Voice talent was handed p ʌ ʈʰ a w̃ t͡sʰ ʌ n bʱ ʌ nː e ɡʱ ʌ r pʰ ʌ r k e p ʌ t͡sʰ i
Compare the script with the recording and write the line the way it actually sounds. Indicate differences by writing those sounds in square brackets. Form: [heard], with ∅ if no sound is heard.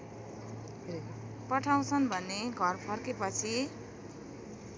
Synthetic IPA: p ʌ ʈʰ a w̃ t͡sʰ ʌ n bʱ ʌ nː e ɡʱ ʌ r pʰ ʌ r k e p ʌ t͡sʰ i